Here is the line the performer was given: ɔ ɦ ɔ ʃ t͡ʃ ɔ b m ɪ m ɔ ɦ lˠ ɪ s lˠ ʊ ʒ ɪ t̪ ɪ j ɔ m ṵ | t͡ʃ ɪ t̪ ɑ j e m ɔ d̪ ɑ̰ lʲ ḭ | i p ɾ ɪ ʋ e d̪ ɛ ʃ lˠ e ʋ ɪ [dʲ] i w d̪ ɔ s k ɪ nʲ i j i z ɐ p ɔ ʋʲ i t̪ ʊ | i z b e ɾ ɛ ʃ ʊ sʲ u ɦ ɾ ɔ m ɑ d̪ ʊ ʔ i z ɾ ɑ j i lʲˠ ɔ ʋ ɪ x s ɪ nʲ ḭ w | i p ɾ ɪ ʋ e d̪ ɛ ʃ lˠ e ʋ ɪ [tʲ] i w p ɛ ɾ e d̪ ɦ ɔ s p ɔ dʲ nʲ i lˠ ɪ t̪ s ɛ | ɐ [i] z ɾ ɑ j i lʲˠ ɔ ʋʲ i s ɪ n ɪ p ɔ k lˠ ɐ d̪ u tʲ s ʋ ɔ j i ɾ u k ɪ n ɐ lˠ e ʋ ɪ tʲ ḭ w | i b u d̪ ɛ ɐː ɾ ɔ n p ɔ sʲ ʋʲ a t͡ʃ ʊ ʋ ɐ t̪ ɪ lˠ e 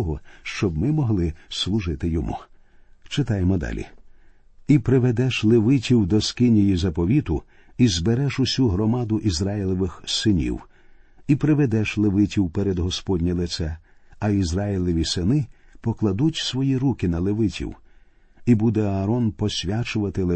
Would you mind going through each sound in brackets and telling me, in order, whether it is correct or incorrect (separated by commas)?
incorrect, correct, correct